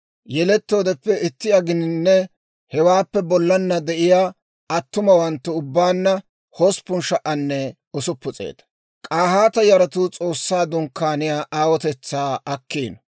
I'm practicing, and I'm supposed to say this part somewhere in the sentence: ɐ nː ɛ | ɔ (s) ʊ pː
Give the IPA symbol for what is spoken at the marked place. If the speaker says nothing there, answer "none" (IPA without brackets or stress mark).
s